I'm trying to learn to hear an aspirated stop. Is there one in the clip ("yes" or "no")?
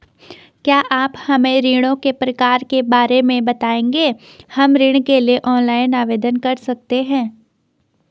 no